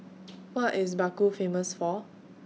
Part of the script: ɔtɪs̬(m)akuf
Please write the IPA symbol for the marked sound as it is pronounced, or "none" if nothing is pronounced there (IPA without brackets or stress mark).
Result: b